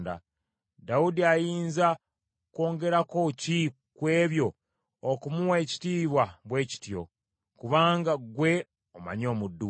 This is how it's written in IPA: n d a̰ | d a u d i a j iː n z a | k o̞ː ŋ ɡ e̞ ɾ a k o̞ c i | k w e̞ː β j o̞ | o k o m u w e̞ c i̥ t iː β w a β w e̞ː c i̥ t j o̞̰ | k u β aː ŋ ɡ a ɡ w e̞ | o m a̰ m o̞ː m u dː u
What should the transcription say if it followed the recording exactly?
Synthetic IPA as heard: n d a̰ | d a u d i a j iː n z a | k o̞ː ŋ ɡ e̞ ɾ a k o̞ c i | k w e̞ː β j o̞ | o k u m u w e̞ c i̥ t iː β w a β w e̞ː c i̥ t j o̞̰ | k u β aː ŋ ɡ a ɡ w e̞ | o m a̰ ɲ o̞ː m u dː u